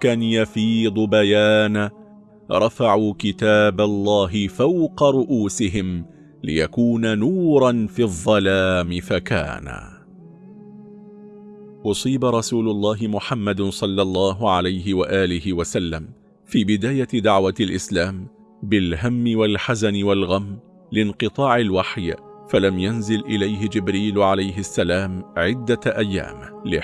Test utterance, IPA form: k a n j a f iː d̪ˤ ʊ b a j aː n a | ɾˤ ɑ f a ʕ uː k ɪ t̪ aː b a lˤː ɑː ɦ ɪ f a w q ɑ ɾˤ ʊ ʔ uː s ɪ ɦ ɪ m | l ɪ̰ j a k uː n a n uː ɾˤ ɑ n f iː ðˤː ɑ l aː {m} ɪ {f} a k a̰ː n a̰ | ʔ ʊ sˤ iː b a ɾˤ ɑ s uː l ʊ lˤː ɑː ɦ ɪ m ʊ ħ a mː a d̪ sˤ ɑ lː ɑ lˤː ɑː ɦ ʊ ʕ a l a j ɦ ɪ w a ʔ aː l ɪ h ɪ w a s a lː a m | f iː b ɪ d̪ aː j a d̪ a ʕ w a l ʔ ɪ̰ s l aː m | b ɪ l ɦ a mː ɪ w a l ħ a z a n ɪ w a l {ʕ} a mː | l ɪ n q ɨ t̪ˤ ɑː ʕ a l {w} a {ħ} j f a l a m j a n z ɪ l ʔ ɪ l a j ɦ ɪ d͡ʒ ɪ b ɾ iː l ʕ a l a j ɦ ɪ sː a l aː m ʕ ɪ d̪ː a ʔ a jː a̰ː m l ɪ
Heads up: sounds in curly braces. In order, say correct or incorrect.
correct, correct, incorrect: ɣ, correct, correct

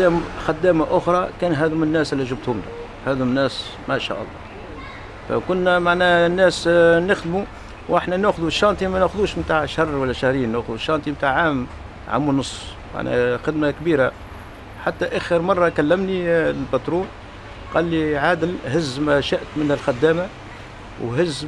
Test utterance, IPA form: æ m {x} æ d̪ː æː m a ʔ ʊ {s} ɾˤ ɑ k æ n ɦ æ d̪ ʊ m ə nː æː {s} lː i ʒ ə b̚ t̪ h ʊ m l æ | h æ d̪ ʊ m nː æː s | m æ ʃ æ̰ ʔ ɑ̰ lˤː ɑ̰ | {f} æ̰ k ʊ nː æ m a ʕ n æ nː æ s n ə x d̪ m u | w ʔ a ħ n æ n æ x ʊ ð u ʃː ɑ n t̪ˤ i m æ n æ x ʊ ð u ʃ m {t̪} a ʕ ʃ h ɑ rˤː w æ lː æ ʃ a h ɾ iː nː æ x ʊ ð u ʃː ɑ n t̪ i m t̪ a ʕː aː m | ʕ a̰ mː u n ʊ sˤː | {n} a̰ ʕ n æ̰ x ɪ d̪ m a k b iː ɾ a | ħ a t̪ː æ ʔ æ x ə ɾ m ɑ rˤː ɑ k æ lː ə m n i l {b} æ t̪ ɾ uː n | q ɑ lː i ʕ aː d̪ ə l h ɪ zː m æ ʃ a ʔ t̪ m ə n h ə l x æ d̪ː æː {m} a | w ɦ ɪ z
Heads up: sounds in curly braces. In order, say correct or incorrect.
correct, incorrect: x, correct, correct, correct, incorrect: m, correct, correct

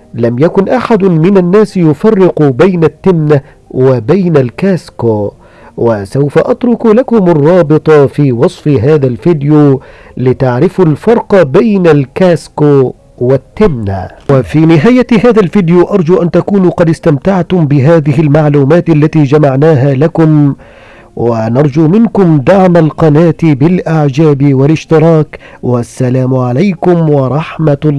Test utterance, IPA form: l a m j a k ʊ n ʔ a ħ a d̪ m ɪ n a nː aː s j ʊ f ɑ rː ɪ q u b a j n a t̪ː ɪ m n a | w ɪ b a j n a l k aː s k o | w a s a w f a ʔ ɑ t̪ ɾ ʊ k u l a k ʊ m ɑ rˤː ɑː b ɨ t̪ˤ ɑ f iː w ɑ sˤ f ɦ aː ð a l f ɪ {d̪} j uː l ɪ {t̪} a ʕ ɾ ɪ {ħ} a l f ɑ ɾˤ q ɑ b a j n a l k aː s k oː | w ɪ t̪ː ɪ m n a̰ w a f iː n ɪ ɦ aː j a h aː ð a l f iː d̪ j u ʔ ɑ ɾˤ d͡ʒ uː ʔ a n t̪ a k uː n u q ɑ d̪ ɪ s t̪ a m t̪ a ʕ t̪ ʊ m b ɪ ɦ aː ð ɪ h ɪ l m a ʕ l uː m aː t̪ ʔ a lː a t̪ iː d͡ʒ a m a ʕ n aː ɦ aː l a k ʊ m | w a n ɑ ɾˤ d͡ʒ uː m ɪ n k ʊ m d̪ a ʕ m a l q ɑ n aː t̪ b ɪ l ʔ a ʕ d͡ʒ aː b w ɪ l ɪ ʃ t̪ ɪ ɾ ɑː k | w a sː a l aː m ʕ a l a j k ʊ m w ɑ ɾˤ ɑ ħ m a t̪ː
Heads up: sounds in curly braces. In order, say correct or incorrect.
correct, correct, incorrect: f

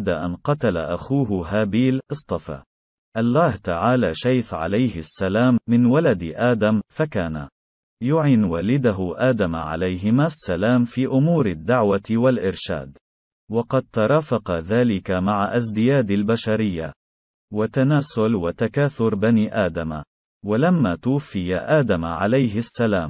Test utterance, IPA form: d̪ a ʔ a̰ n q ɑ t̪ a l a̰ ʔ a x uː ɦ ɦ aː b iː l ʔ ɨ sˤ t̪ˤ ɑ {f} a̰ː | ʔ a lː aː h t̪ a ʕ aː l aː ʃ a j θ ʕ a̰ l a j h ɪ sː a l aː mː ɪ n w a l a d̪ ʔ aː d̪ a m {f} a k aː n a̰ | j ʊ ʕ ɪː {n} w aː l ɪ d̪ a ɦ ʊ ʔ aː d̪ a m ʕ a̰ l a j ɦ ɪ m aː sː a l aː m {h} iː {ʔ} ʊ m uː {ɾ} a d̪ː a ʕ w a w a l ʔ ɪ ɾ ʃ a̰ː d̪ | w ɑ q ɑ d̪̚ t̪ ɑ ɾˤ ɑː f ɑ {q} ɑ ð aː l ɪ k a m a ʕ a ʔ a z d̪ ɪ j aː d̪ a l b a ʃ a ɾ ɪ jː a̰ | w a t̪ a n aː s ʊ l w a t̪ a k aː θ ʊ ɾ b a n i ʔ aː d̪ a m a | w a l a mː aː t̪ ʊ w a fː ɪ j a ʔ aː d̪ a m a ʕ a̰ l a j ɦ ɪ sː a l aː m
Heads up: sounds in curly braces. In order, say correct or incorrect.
correct, correct, correct, incorrect: f, correct, correct, correct

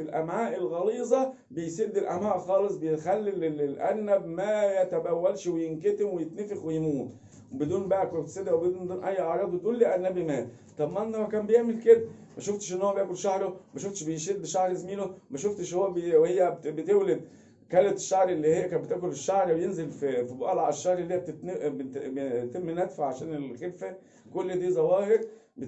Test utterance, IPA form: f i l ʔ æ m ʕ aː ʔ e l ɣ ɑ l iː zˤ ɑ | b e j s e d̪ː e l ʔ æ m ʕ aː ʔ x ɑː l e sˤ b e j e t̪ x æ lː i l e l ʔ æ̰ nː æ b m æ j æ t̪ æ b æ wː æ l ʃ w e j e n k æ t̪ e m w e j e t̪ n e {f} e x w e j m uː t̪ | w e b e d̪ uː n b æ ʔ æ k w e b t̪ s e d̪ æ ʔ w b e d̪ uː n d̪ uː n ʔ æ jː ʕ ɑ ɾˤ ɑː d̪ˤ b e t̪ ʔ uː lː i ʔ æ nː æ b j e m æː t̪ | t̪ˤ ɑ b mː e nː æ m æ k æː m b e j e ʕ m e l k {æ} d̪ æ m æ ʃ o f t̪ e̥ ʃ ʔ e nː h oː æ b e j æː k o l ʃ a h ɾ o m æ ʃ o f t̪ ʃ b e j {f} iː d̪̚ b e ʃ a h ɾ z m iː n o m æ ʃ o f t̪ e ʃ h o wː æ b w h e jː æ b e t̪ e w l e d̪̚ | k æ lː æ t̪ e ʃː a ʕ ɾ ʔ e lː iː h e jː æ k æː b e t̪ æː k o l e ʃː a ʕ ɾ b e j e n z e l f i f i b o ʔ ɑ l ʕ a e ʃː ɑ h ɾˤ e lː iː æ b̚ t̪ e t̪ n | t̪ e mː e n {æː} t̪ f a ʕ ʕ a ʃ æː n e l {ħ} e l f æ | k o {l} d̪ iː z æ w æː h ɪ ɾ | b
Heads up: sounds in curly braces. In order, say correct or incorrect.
correct, incorrect: e, incorrect: ʃ, incorrect: æ, incorrect: x, incorrect: lː

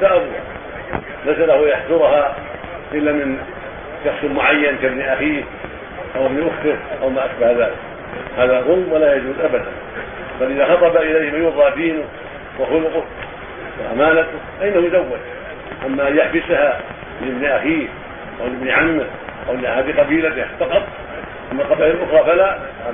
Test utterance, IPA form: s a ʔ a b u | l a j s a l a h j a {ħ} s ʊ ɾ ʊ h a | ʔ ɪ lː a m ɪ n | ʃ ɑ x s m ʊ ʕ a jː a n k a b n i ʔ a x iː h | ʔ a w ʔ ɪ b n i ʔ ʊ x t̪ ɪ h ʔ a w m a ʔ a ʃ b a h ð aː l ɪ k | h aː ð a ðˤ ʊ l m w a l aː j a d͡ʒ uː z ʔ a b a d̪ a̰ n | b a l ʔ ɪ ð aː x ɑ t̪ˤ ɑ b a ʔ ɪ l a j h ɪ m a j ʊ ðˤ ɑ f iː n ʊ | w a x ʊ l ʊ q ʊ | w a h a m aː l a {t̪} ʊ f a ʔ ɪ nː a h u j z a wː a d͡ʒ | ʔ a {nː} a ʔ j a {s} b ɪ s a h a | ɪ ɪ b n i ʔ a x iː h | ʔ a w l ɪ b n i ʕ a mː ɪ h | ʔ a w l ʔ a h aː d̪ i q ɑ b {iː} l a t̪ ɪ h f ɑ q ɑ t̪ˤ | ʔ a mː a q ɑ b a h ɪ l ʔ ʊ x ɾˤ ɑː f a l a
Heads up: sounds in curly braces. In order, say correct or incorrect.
correct, correct, incorrect: mː, incorrect: ħ, correct

